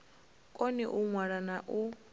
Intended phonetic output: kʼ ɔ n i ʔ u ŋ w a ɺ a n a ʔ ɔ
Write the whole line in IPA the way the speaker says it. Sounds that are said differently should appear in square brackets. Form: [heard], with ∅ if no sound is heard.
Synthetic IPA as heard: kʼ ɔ n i ʔ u ŋ w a ɺ a n a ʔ [u]

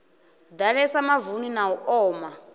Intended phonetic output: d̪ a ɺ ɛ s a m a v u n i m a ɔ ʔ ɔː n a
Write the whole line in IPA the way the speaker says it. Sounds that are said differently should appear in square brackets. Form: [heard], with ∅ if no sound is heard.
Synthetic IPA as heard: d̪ a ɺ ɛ s a m a v u n i [n] a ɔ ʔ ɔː [m] a

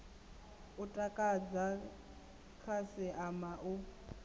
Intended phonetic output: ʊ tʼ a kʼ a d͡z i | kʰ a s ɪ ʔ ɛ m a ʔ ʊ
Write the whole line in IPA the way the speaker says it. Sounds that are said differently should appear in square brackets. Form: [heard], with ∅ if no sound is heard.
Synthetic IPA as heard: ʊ tʼ a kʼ a d͡z [a] | kʰ a s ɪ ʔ [a] m a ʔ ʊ

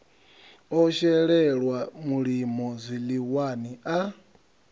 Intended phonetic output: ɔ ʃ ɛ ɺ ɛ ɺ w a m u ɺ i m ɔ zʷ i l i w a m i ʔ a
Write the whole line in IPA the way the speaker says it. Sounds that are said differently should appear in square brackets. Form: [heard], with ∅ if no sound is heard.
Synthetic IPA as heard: ɔ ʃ ɛ ɺ ɛ ɺ w a m u ɺ i m ɔ zʷ i l i w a [n] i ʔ a

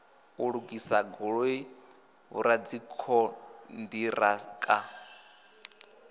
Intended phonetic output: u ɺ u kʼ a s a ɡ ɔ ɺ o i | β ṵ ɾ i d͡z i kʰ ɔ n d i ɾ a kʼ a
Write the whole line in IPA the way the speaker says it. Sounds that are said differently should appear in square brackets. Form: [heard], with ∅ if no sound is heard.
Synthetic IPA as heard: u ɺ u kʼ [i] s a ɡ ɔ ɺ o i | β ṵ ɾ [a] d͡z i kʰ ɔ n d i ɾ a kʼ a

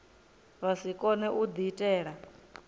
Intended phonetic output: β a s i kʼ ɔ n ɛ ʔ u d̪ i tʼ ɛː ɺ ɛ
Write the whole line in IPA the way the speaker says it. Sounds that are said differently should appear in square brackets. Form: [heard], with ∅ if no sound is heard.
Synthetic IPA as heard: β a s i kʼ ɔ n ɛ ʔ u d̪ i tʼ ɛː ɺ [a]

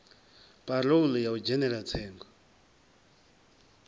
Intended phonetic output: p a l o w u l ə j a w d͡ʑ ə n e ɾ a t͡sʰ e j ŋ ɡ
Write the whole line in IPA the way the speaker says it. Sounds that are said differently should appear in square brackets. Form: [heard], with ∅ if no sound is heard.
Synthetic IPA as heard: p a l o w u l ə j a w d͡ʑ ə n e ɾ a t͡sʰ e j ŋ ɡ

